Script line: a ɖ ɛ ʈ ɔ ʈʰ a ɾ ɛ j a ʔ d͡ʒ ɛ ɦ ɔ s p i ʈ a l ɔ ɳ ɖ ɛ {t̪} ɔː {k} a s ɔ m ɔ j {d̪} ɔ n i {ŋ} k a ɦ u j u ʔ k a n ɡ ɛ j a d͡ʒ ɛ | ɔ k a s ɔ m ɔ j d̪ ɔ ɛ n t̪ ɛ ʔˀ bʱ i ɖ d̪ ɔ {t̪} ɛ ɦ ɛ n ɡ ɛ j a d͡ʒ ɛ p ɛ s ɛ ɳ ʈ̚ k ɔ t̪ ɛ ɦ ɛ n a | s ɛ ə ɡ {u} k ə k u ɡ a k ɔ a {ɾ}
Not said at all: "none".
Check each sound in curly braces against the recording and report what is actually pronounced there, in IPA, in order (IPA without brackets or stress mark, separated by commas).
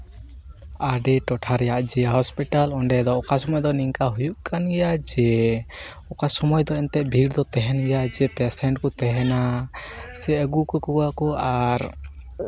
d̪, k, d̪, ŋ, t̪, u, ɾ